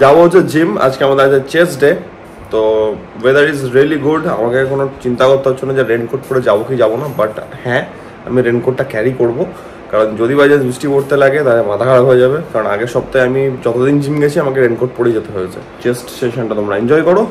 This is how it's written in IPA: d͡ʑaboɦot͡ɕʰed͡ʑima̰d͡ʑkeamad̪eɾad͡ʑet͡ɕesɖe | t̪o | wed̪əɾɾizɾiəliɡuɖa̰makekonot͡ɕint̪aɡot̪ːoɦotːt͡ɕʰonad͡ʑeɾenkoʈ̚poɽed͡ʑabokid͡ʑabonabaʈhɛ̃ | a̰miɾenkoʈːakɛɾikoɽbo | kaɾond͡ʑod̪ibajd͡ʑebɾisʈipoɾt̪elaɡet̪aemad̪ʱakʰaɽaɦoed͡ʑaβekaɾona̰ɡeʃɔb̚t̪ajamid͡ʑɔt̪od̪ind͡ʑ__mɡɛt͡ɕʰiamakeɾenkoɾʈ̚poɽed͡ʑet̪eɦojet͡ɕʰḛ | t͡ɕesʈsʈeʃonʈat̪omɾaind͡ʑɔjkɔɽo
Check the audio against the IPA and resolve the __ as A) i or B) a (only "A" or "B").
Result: A